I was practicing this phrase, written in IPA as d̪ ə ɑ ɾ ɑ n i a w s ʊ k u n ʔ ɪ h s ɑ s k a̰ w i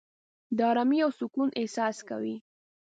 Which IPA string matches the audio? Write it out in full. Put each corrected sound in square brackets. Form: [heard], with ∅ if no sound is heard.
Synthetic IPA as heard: d̪ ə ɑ ɾ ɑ [m] i a w s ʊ k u n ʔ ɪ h s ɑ s k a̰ w i